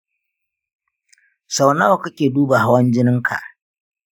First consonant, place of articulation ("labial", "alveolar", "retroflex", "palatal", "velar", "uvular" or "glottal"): alveolar